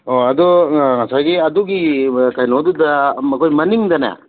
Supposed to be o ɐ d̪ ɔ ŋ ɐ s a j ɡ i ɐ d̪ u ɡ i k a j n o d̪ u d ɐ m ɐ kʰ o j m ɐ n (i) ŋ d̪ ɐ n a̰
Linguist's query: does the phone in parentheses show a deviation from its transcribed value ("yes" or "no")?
no